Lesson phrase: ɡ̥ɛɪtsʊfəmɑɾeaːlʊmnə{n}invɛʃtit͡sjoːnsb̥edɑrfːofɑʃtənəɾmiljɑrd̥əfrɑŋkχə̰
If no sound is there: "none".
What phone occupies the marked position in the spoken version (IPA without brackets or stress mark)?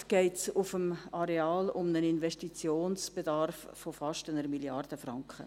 n